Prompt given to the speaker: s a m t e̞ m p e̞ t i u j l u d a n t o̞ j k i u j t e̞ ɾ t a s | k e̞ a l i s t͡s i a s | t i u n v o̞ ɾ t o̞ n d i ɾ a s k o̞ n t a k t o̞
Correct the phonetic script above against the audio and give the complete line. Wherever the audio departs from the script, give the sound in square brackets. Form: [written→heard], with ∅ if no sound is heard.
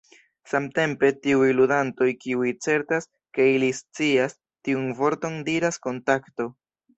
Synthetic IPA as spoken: s a m t e̞ m p e̞ t i u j l u d a n t o̞ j k i u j [t→t͡s] e̞ ɾ t a s | k e̞ [a→i] l i s t͡s i a s | t i u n v o̞ ɾ t o̞ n d i ɾ a s k o̞ n t a k t o̞